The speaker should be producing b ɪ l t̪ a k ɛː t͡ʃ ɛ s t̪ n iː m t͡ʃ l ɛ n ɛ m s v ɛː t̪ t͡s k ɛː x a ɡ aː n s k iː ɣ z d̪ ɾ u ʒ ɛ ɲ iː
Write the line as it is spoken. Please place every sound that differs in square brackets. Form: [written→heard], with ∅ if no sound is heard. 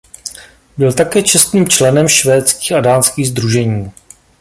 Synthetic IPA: b ɪ l t̪ a k ɛː t͡ʃ ɛ s t̪ n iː m t͡ʃ l ɛ n ɛ m [s→ʃ] v ɛː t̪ t͡s k [ɛː→iː] x a [ɡ→d] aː n s k iː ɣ z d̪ ɾ u ʒ ɛ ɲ iː